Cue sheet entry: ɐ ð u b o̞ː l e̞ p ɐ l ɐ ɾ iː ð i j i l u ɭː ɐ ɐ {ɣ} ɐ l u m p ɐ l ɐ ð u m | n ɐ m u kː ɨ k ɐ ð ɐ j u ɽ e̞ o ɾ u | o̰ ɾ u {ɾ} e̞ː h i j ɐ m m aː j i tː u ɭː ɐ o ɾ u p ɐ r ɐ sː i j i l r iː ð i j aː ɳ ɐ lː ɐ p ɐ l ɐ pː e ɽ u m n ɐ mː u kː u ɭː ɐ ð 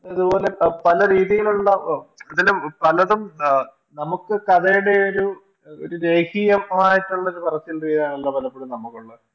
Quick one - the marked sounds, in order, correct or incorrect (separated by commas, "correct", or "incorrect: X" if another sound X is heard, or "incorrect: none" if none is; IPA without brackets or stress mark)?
incorrect: ð, correct